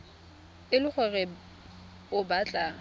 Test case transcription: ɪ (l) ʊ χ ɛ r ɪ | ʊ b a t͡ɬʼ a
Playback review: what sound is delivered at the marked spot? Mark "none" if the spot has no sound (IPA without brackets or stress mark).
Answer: l